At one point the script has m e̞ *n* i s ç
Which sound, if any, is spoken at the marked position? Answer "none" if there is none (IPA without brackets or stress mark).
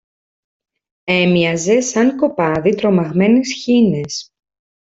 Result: n